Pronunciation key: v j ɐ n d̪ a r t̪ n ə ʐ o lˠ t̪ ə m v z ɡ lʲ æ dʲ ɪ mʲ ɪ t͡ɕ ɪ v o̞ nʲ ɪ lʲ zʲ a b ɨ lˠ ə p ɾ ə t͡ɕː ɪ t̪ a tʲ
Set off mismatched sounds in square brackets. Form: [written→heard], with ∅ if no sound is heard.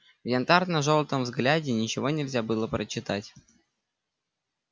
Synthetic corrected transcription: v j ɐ n [d̪→t̪] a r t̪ n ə ʐ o lˠ t̪ ə m v z ɡ lʲ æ dʲ ɪ [mʲ→nʲ] ɪ t͡ɕ ɪ v o̞ nʲ ɪ lʲ zʲ a b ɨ lˠ ə p ɾ ə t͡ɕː ɪ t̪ a tʲ